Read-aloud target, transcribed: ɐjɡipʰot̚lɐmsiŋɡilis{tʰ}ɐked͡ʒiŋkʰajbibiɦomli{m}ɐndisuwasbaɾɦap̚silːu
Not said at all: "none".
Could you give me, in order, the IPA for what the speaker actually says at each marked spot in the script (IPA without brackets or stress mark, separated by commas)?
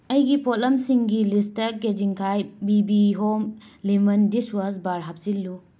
t, m